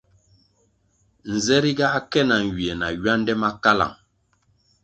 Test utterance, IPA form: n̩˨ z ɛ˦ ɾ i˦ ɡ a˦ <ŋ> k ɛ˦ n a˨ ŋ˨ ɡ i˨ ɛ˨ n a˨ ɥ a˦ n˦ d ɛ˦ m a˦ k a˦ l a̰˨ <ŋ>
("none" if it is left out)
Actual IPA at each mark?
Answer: none, ŋ

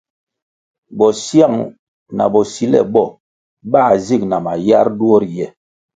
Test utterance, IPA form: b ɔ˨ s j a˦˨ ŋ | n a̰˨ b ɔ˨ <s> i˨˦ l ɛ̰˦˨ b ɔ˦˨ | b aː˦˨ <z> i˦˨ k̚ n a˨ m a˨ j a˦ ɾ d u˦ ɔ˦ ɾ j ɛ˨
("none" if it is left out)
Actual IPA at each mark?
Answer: s, z

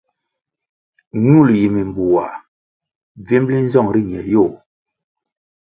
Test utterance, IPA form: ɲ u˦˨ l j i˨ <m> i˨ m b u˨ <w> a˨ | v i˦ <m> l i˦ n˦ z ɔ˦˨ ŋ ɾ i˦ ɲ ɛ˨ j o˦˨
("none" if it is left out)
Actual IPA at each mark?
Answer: m, w, m

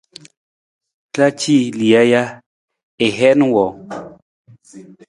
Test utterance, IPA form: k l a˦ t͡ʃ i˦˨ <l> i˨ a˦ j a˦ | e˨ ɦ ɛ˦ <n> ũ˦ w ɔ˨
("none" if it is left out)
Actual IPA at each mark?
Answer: l, n

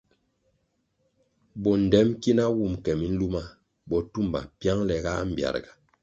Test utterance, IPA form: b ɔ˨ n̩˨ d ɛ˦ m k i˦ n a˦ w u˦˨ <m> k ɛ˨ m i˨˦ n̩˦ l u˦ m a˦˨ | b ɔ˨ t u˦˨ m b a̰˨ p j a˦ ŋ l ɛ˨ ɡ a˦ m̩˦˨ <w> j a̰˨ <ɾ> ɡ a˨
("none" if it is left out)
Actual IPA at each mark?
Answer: m, b, ɾ

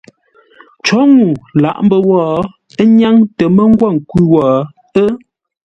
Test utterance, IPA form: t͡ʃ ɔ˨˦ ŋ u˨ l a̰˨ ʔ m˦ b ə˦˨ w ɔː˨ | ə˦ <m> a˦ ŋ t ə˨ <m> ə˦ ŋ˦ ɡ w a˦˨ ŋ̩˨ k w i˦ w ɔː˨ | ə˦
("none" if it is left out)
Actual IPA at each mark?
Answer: ɲ, m

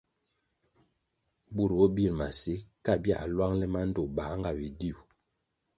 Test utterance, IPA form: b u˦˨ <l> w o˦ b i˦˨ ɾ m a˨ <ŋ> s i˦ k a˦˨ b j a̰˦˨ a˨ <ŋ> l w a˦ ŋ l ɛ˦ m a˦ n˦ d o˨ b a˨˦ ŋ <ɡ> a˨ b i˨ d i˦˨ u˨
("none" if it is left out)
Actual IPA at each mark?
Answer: ɾ, none, none, ɡ

